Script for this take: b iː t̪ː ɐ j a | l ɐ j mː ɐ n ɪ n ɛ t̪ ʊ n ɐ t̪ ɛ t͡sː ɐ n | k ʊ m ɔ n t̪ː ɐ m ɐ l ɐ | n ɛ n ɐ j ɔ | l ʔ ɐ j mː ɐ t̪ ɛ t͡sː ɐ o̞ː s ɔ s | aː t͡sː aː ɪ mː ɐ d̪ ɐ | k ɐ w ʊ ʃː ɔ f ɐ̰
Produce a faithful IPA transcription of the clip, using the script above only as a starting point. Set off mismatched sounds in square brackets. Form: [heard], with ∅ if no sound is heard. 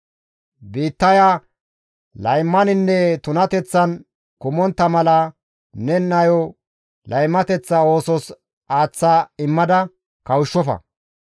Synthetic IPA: b iː t̪ː ɐ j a | l ɐ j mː ɐ n ɪ [nː] ɛ t̪ ʊ n ɐ t̪ ɛ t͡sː ɐ n | k ʊ m ɔ n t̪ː ɐ m ɐ l ɐ | n ɛ n ɐ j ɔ | l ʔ ɐ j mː ɐ t̪ ɛ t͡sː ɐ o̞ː s ɔ s | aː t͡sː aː ɪ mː ɐ d̪ ɐ | k ɐ w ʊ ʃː ɔ f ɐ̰